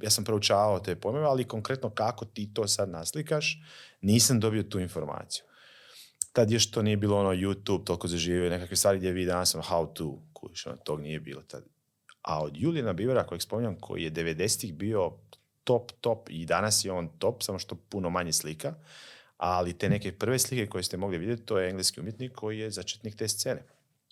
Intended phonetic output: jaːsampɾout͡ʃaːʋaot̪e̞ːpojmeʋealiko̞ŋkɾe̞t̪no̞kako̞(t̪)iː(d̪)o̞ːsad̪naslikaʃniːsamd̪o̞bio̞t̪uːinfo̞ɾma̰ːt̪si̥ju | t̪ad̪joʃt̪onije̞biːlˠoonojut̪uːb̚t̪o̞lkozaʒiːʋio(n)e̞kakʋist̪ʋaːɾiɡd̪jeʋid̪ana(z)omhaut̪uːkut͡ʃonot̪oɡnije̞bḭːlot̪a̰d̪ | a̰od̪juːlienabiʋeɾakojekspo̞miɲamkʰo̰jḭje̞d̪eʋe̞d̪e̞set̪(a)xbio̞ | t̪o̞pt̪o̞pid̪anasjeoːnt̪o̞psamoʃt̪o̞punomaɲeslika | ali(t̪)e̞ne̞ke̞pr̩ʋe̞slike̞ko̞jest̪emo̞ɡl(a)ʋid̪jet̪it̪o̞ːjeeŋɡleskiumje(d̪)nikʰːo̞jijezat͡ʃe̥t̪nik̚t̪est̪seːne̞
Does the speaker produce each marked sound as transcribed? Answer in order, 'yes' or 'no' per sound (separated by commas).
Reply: yes, no, yes, no, no, yes, no, no